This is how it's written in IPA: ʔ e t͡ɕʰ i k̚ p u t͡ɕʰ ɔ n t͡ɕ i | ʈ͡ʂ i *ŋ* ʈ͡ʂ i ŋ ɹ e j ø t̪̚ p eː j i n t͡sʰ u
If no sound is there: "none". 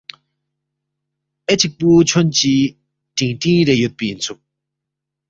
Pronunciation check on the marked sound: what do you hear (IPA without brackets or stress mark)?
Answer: ŋ